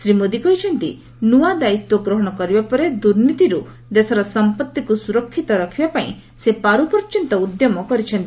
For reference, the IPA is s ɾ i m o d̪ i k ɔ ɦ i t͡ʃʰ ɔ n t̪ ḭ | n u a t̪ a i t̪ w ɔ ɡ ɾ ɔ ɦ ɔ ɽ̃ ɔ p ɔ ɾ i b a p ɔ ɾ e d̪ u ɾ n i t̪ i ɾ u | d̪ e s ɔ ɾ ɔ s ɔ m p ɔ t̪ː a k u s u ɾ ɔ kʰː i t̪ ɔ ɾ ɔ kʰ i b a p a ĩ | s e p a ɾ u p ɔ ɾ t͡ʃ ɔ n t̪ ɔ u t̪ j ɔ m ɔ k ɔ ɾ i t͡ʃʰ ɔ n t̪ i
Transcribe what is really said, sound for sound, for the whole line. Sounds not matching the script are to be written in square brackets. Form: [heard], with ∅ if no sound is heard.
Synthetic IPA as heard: s ɾ i m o d̪ i k ɔ ɦ i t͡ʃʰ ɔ n t̪ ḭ | n u a [d̪] a i t̪ w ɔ ɡ ɾ ɔ ɦ ɔ ɽ̃ ɔ [k] ɔ ɾ i b a p ɔ ɾ e d̪ u ɾ n i t̪ i ɾ u | d̪ e s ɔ ɾ ɔ s ɔ m p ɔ t̪ː [i] k u s u ɾ ɔ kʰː i t̪ ɔ ɾ ɔ kʰ i b a p a ĩ | s e p a ɾ u p ɔ ɾ t͡ʃ ɔ n t̪ ɔ u [d̪] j ɔ m ɔ k ɔ ɾ i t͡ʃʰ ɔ n t̪ i